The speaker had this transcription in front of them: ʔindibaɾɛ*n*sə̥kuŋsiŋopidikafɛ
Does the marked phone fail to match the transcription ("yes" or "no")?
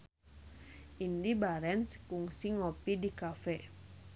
no